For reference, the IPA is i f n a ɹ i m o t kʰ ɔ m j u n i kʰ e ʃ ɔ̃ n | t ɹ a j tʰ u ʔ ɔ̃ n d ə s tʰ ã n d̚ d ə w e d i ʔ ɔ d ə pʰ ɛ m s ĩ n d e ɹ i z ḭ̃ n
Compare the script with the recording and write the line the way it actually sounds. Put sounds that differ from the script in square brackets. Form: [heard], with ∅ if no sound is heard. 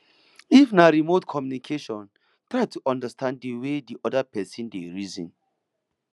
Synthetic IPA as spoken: i f n a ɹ i m o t kʰ ɔ m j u n i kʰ e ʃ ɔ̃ n | t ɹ a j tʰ u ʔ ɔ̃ n d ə s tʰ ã n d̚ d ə w e d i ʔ ɔ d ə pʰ ɛ [∅] s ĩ n d e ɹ i z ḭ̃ n